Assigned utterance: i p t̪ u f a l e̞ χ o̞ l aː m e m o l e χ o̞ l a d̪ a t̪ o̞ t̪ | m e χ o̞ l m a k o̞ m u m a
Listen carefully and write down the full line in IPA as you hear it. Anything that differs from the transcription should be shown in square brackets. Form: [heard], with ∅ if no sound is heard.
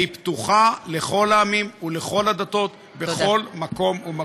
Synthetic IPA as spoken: i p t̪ u [χ] a l e̞ χ o̞ l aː m [i] m [u] l e χ o̞ l a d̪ a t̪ o̞ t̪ | [b] e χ o̞ l m a k o̞ m u m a